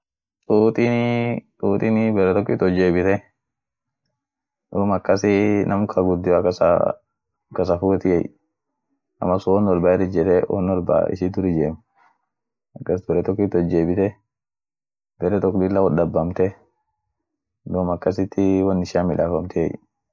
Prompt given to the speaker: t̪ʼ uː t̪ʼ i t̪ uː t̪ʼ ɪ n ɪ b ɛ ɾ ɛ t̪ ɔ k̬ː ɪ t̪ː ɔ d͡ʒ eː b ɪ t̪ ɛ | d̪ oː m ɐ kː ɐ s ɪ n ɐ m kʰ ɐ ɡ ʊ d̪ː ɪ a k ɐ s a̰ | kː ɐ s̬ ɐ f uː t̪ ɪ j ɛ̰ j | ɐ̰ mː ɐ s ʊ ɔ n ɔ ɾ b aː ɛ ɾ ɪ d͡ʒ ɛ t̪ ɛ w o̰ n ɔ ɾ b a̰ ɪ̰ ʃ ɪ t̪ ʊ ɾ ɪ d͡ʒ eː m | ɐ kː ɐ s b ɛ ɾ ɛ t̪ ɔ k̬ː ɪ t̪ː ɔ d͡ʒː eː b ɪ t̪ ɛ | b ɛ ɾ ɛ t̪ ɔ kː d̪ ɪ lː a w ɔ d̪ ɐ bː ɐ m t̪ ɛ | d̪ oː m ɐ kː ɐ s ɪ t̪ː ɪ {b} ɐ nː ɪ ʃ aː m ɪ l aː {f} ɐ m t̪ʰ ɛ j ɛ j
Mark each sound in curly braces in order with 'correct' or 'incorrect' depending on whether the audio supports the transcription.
incorrect, correct

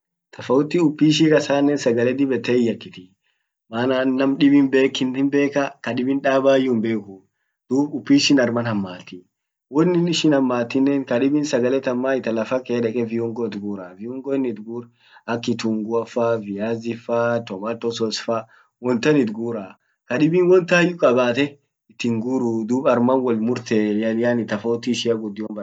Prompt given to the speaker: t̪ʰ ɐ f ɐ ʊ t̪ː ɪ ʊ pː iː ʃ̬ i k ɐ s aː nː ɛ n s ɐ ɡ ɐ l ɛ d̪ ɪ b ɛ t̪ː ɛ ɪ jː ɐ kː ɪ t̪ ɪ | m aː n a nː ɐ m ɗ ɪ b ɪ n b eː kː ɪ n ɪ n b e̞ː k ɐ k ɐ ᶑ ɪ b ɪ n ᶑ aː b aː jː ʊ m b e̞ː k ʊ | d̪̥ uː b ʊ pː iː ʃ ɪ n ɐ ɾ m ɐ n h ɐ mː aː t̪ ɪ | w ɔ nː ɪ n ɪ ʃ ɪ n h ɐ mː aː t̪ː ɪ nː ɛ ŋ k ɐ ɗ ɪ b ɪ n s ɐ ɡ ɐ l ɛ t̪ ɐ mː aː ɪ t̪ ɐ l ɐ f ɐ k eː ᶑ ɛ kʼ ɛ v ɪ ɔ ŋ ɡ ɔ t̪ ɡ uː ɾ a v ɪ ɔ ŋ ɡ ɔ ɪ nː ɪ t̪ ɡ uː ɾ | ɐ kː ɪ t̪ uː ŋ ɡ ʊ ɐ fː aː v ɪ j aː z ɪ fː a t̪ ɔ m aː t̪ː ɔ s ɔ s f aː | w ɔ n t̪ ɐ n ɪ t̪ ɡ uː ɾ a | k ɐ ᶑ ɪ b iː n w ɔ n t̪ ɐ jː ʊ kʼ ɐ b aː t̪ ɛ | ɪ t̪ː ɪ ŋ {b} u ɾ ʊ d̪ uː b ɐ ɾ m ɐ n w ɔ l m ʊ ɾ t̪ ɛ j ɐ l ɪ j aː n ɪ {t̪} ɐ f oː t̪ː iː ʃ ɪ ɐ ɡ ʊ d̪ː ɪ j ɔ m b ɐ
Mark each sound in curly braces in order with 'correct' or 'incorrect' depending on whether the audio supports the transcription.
incorrect, correct

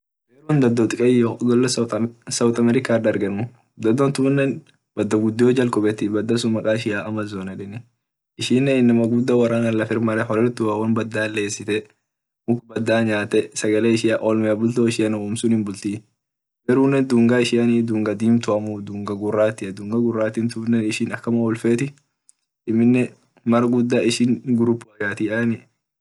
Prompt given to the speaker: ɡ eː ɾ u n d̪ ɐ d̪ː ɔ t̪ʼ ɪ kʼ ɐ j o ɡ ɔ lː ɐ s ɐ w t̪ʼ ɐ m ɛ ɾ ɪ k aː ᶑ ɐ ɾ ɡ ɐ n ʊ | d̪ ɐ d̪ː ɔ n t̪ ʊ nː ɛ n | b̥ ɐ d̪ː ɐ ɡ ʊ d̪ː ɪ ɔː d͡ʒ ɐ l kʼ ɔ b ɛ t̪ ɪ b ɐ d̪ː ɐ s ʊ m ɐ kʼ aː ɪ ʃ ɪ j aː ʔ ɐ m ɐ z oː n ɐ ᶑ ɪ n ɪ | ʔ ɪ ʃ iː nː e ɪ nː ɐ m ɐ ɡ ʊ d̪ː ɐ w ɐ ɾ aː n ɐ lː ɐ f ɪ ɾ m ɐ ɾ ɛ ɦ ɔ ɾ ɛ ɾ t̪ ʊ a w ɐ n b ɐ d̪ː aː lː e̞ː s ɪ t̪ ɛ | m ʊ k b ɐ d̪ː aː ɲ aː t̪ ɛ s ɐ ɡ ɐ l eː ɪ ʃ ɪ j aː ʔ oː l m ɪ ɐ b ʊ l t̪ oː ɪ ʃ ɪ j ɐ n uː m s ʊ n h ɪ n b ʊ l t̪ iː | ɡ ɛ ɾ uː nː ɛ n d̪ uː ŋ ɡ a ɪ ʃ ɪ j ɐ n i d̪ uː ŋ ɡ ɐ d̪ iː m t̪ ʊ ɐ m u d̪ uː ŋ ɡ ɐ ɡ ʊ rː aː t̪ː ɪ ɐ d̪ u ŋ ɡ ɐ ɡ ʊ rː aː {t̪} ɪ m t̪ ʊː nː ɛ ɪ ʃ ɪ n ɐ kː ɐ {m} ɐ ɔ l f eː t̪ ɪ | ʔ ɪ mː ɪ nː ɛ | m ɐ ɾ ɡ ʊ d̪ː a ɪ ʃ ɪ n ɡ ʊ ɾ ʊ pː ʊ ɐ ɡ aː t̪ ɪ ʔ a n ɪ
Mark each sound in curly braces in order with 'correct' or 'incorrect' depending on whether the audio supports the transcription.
correct, correct

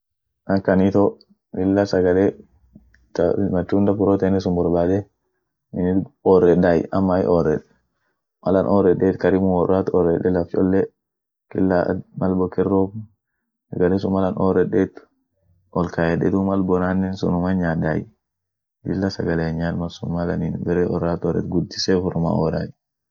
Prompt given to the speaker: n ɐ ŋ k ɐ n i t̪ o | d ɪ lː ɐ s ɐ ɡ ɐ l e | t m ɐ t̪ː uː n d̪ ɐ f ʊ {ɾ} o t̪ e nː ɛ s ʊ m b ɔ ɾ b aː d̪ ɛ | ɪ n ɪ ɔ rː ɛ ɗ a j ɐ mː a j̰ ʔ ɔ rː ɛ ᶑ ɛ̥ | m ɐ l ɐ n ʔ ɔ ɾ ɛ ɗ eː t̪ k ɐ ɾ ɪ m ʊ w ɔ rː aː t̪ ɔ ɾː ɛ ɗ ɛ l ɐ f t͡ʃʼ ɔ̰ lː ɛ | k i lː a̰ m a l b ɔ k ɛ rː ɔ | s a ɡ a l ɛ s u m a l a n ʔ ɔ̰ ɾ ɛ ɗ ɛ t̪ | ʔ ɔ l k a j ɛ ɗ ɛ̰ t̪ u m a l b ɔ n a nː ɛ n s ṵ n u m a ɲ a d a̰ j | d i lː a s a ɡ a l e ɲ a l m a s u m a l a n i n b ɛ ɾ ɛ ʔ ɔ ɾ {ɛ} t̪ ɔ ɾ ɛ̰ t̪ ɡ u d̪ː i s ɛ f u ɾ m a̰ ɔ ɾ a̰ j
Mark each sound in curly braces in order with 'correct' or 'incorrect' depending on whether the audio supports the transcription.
correct, incorrect

